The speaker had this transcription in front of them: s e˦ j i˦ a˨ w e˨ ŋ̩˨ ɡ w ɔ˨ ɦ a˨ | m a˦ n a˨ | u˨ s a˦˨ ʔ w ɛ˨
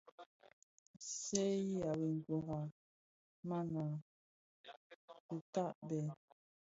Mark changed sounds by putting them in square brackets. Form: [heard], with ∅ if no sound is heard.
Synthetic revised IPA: s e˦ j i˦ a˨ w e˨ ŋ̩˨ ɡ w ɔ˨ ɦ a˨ | m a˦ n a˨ | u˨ [t] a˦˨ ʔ [b] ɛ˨